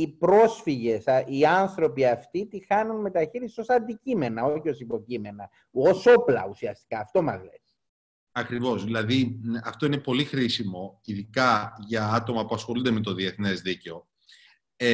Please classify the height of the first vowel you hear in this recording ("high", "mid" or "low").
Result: high